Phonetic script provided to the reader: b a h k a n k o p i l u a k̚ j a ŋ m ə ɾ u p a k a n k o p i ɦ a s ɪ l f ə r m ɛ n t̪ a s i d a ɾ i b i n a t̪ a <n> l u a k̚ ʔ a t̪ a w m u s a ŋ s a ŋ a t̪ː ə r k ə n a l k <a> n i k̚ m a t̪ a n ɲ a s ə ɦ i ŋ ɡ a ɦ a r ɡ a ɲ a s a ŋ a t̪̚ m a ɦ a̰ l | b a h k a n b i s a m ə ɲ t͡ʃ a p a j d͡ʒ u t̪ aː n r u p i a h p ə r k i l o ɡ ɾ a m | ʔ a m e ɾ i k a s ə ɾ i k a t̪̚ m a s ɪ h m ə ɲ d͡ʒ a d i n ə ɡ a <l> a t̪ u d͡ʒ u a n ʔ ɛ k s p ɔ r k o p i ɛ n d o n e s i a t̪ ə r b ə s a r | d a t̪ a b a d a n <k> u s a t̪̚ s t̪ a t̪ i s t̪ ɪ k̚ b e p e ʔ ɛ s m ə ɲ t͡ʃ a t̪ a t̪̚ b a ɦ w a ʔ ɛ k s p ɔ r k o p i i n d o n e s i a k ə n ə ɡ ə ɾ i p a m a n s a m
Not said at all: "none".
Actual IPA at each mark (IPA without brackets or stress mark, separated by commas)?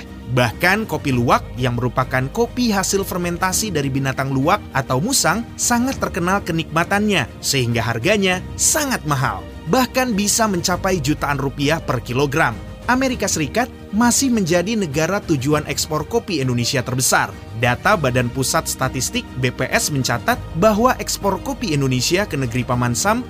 ŋ, ə, ɾ, p